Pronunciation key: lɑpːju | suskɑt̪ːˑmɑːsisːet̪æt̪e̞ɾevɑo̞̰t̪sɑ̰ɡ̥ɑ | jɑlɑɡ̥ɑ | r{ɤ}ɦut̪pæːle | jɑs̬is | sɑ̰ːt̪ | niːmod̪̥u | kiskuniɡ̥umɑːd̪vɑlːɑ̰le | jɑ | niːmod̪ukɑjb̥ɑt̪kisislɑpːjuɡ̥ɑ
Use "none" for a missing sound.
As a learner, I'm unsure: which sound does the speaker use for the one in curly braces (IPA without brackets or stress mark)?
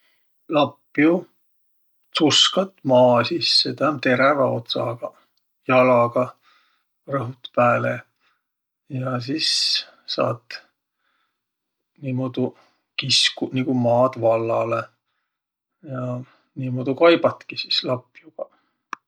ɤ